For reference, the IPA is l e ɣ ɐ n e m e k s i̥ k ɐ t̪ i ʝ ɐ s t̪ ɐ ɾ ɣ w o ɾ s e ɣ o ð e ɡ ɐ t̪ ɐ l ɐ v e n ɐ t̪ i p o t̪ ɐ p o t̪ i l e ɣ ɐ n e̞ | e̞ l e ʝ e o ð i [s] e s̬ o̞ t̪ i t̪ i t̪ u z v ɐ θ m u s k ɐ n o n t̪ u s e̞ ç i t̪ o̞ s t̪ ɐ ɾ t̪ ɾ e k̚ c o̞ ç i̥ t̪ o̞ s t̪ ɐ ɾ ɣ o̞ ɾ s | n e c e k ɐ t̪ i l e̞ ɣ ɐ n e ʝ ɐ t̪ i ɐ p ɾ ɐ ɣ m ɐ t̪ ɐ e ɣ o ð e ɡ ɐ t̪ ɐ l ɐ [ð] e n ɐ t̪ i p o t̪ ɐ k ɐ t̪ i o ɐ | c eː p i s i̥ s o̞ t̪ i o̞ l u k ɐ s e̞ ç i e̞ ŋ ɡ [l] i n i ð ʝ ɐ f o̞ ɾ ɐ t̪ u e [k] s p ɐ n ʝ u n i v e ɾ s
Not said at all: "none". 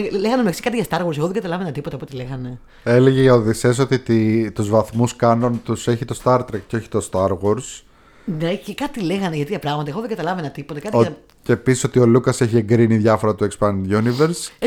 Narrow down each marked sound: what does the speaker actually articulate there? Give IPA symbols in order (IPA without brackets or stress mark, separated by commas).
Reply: s, v, ɾ, k